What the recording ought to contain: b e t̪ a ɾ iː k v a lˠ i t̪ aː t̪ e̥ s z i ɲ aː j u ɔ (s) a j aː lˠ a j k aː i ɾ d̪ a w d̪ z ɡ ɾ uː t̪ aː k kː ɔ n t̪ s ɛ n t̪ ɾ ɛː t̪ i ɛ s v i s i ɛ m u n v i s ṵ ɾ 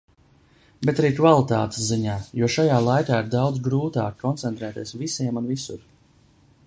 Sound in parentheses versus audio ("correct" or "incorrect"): incorrect